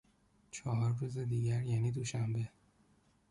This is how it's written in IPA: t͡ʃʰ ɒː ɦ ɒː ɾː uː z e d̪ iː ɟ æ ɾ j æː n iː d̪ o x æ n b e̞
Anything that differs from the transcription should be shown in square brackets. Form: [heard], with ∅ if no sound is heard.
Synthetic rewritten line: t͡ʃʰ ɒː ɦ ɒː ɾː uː z e d̪ iː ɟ æ ɾ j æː n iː d̪ o [ʃ] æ [m] b e̞

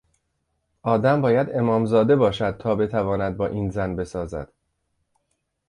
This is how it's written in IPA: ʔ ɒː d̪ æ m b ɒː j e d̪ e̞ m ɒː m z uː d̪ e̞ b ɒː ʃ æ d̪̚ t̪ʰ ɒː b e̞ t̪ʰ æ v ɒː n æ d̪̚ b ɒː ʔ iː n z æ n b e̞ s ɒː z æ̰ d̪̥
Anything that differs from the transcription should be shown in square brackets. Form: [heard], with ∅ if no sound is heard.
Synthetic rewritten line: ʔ ɒː d̪ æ m b ɒː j [æ] d̪ e̞ m ɒː m z [ɒː] d̪ e̞ b ɒː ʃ æ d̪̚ t̪ʰ ɒː b e̞ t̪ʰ æ v ɒː n æ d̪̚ b ɒː ʔ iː n z æ n b e̞ s ɒː z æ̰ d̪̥

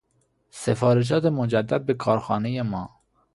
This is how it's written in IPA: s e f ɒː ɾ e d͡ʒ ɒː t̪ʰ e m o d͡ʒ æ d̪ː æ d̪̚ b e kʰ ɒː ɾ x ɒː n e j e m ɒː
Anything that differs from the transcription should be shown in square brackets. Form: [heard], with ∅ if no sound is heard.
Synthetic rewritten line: s e f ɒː ɾ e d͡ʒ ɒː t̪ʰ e m o d͡ʒ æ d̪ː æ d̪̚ b e kʰ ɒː ɾ x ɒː n e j e m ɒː

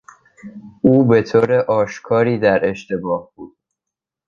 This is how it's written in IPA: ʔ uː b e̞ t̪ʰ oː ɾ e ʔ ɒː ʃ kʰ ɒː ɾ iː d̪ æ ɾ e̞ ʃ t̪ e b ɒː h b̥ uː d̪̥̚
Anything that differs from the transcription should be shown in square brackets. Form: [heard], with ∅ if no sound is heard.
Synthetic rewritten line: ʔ uː b e̞ t̪ʰ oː ɾ e ʔ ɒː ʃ kʰ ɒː ɾ iː d̪ æ ɾ e̞ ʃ t̪ e b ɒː h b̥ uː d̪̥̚

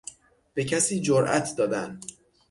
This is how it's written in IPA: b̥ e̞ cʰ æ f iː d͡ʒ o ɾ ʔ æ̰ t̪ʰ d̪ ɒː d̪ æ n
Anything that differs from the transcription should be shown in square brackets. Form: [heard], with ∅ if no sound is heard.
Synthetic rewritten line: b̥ e̞ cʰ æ [s] iː d͡ʒ o ɾ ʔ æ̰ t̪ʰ d̪ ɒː d̪ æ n

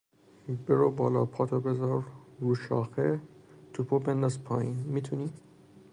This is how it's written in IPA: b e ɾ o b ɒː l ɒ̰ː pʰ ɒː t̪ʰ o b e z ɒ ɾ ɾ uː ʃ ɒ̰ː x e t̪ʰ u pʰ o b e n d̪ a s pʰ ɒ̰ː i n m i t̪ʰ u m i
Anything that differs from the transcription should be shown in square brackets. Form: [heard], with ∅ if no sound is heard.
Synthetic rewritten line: b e ɾ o b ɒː l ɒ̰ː pʰ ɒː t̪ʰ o b e z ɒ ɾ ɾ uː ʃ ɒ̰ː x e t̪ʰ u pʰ o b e n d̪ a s pʰ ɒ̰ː i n m i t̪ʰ u [n] i

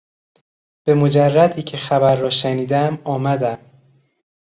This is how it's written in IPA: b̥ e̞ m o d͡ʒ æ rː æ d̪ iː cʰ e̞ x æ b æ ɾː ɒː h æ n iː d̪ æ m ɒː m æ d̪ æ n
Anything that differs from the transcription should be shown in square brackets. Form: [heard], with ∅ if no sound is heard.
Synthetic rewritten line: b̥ e̞ m o d͡ʒ æ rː æ d̪ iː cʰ e̞ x æ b æ ɾː ɒː [ʃ] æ n iː d̪ æ m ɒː m æ d̪ æ [m]

